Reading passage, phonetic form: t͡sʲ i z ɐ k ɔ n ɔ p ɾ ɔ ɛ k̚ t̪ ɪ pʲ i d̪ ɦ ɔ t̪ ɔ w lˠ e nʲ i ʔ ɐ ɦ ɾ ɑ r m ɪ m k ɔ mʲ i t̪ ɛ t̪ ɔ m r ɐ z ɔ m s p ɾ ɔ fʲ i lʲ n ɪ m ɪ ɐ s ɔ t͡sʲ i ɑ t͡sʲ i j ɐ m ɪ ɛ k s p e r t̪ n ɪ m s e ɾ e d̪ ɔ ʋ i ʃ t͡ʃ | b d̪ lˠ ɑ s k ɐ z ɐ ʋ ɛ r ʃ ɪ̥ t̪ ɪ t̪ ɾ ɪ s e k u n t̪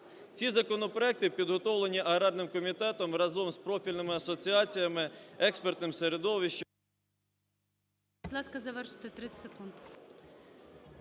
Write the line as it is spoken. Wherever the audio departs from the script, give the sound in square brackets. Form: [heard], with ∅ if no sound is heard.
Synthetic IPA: t͡sʲ i z ɐ k ɔ n ɔ p ɾ ɔ ɛ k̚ t̪ ɪ pʲ i d̪ ɦ ɔ t̪ ɔ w lˠ e nʲ i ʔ ɐ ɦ ɾ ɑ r [n] ɪ m k ɔ mʲ i t̪ ɛ t̪ ɔ m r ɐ z ɔ m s p ɾ ɔ fʲ i lʲ n ɪ m ɪ ɐ s ɔ t͡sʲ i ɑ t͡sʲ i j ɐ m ɪ ɛ k s p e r t̪ n ɪ m s e ɾ e d̪ ɔ ʋ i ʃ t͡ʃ | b d̪ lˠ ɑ s k ɐ z ɐ ʋ ɛ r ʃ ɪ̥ t̪ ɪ t̪ ɾ ɪ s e k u n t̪